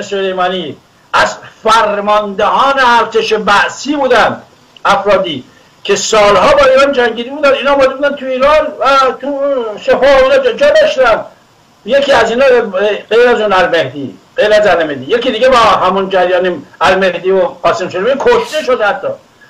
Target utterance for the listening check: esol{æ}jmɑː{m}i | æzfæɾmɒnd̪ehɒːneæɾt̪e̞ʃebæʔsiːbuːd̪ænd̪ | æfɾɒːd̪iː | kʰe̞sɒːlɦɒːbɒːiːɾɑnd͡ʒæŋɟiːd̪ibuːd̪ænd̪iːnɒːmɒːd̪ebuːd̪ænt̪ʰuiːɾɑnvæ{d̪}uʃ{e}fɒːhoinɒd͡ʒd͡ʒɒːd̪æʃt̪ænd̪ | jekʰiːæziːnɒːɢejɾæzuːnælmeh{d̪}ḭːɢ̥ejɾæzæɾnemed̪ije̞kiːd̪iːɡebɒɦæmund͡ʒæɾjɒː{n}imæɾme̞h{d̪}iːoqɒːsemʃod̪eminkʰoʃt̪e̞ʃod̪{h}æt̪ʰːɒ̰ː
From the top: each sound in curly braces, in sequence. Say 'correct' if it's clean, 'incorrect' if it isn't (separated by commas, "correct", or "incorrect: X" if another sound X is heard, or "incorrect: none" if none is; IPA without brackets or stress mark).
incorrect: e, incorrect: n, incorrect: t̪, correct, correct, correct, correct, correct